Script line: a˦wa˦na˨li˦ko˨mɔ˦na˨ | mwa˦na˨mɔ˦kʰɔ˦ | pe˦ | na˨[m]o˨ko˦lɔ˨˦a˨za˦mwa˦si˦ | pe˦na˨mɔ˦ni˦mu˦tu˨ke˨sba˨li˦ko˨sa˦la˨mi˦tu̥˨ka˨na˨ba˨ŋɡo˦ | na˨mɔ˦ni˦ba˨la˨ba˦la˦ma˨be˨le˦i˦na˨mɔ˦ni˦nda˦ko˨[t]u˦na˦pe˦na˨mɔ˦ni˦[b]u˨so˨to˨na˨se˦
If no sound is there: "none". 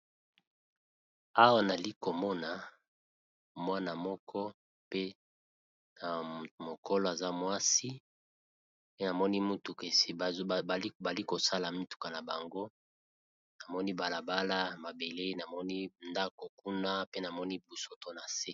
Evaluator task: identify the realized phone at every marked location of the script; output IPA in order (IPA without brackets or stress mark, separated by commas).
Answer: m, k, b